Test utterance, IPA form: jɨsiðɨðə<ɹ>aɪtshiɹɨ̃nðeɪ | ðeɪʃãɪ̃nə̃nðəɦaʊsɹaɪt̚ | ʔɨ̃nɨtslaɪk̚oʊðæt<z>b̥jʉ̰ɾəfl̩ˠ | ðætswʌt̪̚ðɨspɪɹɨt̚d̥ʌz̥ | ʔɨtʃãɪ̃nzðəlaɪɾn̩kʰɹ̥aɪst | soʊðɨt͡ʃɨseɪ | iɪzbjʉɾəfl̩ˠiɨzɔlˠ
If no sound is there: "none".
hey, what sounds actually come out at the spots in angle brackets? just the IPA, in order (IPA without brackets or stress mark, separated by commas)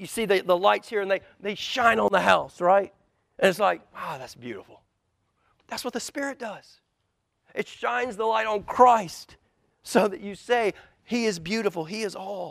l, s